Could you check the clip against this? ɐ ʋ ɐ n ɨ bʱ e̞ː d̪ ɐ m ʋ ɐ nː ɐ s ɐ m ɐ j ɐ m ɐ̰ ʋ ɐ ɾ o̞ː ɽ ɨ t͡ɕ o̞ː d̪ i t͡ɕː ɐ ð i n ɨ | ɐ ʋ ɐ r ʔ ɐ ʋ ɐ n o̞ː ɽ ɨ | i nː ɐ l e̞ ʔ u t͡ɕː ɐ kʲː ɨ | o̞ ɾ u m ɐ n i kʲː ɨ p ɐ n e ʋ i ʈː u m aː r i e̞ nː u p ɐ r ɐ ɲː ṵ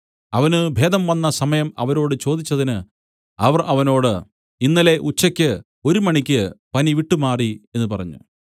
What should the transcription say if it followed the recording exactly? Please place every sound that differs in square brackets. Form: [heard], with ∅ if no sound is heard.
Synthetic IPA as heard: ɐ ʋ ɐ n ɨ bʱ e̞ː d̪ ɐ m ʋ ɐ nː ɐ s ɐ m ɐ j ɐ m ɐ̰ ʋ ɐ ɾ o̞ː ɽ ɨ t͡ɕ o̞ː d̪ i t͡ɕː ɐ ð i n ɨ | ɐ ʋ ɐ r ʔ ɐ ʋ ɐ n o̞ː ɽ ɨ | i nː ɐ l e̞ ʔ u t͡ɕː ɐ kʲː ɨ | o̞ ɾ u m ɐ [ɳ] i kʲː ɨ p ɐ n [i] ʋ i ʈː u m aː r i e̞ nː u p ɐ r ɐ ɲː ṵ